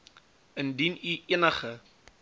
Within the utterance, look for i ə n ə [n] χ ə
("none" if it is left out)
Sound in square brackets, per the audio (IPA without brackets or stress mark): none